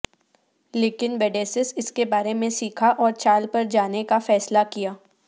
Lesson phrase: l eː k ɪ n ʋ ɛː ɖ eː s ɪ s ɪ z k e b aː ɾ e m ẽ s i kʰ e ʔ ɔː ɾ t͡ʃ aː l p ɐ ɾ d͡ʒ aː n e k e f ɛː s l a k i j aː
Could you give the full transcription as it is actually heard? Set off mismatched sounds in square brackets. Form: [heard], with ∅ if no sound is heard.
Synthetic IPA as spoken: l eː k ɪ n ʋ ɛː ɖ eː s ɪ s ɪ [s] k e b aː ɾ e m ẽ s [iː] kʰ [a] ʔ ɔː ɾ t͡ʃ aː l p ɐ ɾ d͡ʒ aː n e k [a] f ɛː s l a k i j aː